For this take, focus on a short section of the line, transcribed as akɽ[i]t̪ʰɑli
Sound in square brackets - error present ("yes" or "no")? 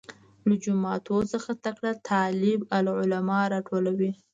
yes